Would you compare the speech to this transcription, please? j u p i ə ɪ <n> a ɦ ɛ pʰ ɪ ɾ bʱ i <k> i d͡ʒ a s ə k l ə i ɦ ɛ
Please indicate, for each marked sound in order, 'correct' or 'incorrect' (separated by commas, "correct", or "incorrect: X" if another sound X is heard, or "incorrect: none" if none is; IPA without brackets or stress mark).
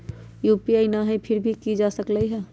correct, correct